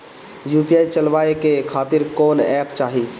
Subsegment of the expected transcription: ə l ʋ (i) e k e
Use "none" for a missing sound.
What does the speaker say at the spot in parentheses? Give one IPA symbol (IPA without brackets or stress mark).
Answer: a